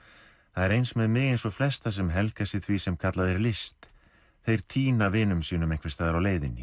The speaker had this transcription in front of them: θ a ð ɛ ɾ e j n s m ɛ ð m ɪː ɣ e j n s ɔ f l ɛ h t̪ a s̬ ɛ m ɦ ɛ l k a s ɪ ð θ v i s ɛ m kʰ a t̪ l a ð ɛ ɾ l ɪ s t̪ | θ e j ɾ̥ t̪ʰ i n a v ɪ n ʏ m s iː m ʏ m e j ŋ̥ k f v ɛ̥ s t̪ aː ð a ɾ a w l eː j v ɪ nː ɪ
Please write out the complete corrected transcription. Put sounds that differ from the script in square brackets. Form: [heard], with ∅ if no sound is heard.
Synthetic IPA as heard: θ a ð ɛ ɾ e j n s m ɛ ð m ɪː ɣ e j n s ɔ f l ɛ [s] t̪ a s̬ ɛ m ɦ ɛ l k a s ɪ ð θ v i s ɛ m kʰ a t̪ l a ð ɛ ɾ l ɪ s t̪ | θ e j ɾ̥ t̪ʰ [iː] n a v ɪ n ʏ m s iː [n] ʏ m e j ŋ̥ k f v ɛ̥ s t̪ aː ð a ɾ a w l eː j [ð] ɪ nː ɪ